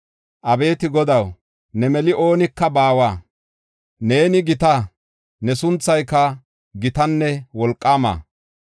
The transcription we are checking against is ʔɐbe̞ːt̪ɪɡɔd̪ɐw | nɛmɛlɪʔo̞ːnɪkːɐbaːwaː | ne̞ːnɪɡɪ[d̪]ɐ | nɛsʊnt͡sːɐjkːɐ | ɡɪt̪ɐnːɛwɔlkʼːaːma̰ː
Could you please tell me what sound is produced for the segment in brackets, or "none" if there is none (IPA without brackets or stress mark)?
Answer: t̪